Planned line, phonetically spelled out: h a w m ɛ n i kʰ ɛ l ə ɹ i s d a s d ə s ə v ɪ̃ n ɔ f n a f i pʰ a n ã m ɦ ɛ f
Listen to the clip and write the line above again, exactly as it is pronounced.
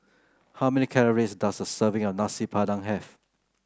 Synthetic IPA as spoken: h a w m ɛ n i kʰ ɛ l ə ɹ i s d a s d ə s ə v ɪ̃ ŋ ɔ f n a s i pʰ a d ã ŋ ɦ ɛ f